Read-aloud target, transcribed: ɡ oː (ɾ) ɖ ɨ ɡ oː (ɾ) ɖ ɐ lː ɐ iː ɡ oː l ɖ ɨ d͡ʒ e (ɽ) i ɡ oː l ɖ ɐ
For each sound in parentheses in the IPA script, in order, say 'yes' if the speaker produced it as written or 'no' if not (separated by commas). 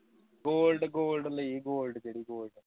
no, no, yes